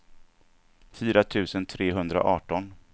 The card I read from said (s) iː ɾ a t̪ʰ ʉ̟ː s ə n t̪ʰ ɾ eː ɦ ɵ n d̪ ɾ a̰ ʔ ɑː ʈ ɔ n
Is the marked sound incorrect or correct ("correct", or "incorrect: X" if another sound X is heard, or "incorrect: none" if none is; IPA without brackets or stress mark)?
incorrect: f